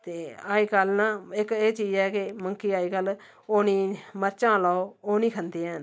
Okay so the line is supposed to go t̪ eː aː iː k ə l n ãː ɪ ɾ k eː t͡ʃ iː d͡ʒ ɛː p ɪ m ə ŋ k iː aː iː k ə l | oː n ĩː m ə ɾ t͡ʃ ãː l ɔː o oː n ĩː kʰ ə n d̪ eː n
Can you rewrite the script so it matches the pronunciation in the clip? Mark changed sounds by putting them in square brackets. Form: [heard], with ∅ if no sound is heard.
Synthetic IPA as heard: t̪ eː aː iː k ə l n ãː ɪ [∅] k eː t͡ʃ iː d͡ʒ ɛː [k] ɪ m ə ŋ k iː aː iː k ə l | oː n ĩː m ə ɾ t͡ʃ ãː l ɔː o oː n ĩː kʰ ə n d̪ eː n